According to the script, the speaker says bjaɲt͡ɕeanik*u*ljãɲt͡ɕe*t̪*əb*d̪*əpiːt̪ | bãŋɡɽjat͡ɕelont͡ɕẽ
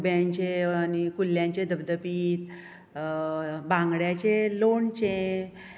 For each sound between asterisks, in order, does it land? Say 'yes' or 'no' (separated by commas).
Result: yes, no, yes